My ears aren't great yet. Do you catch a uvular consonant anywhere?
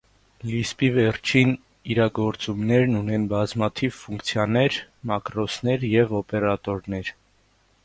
no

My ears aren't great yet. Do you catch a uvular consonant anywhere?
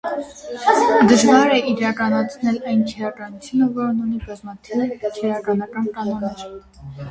no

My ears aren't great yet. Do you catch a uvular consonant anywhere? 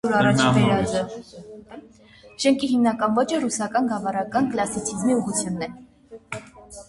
yes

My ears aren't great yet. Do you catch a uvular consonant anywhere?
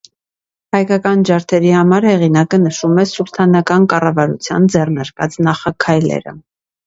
yes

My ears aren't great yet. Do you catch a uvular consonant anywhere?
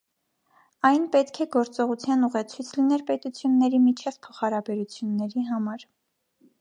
yes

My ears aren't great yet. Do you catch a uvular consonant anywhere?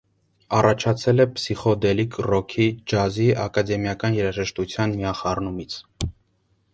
yes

